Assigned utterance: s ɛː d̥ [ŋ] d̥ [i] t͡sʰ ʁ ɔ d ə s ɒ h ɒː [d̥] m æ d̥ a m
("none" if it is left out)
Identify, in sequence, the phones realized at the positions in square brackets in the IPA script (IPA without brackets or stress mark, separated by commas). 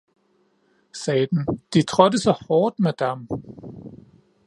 n, i, d̥